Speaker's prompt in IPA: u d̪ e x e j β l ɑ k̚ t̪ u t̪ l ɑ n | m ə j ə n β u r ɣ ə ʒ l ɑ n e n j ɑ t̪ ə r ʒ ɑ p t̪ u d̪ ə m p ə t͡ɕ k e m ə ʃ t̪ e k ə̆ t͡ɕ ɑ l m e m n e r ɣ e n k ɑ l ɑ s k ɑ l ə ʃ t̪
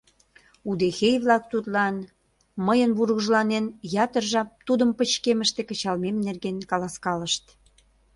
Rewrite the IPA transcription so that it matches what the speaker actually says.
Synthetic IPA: u d̪ e x e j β l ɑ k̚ t̪ u t̪ l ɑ n | m ə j ə n β u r ɣ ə ʒ l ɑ n e n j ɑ t̪ ə r ʒ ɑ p t̪ u d̪ ə m p ə t͡ɕ k e m ə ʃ t̪ e k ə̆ t͡ɕ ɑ l m e m n e r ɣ e n k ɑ l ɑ s k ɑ l ə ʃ t̪